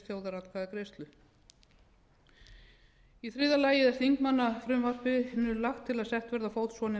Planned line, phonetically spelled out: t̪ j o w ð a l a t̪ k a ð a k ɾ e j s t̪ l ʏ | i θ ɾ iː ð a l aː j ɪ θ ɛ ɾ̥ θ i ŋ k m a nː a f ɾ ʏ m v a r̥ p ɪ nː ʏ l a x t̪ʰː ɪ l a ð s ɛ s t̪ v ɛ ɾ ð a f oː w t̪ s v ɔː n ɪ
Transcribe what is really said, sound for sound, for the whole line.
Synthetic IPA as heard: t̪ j o w ð a ɾ a t̪ k a ð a k ɾ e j s t̪ l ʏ | i θ ɾ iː ð a l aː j ɪ ð ɛ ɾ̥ θ i ŋ k m a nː a f ɾ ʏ m v a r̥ p ɪ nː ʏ l a x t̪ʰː ɪ l a ð s ɛ h t̪ v ɛ ɾ ð a f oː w t̪ s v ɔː n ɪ